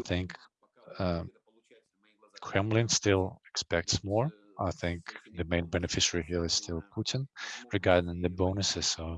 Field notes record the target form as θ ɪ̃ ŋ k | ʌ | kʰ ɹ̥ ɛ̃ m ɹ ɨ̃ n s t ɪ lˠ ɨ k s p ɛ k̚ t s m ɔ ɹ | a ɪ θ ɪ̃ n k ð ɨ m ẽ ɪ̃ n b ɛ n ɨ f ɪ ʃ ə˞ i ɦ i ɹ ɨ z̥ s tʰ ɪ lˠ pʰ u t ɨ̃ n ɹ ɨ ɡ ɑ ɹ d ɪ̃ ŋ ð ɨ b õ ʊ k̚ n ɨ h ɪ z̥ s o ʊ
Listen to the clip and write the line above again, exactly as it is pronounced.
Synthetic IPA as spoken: θ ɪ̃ ŋ k | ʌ | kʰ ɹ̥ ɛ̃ m l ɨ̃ n s t ɪ lˠ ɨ k s p ɛ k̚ t s m ɔ ɹ | a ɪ θ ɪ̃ ŋ k ð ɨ m ẽ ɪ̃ n b ɛ n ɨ f ɪ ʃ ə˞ i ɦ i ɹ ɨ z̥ s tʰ ɪ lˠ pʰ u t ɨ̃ n ɹ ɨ ɡ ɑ ɹ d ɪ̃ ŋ ð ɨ b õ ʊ n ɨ s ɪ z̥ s o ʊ